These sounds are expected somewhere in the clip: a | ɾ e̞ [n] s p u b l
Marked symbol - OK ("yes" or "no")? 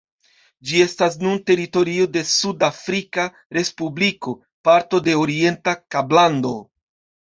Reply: no